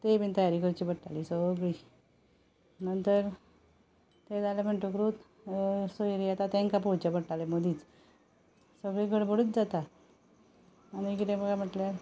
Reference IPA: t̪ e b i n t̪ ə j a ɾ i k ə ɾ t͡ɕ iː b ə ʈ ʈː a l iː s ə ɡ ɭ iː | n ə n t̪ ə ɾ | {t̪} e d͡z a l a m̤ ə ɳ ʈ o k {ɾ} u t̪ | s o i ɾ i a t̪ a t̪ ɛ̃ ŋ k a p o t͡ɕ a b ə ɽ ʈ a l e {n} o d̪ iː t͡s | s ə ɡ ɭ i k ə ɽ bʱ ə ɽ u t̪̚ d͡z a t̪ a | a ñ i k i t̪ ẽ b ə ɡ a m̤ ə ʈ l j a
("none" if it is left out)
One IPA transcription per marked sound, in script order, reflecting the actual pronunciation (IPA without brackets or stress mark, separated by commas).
t̪, ɾ, m